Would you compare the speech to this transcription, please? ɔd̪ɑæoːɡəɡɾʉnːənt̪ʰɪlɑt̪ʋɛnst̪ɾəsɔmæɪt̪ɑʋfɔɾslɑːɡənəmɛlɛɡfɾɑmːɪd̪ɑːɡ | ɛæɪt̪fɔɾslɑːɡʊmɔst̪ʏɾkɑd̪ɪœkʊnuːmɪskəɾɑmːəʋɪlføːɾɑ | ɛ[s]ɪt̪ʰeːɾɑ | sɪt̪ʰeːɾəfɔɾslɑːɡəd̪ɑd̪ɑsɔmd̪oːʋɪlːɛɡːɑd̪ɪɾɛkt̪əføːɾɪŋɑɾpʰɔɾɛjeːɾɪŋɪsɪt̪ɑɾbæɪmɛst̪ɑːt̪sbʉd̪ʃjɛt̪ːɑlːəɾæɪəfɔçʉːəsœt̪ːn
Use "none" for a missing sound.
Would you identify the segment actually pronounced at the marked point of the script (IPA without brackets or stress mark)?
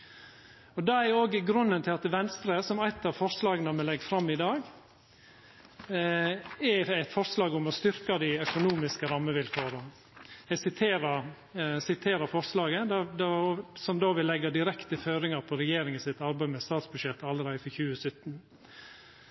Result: s